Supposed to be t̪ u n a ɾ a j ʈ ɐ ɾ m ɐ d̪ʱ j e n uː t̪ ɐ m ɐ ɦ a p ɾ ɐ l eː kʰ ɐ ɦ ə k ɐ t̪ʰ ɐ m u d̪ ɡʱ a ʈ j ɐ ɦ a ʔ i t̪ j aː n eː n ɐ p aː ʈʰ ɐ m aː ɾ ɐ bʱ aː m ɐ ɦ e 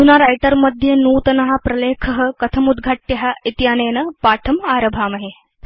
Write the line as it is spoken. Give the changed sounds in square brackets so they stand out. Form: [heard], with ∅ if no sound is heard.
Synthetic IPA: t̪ u n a ɾ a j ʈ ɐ ɾ m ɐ d̪ʱ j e n uː t̪ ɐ [n] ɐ ɦ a p ɾ ɐ l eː kʰ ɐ ɦ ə k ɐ t̪ʰ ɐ m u d̪ ɡʱ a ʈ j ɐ ɦ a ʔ i t̪ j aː n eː n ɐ p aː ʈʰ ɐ m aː ɾ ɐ bʱ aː m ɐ ɦ e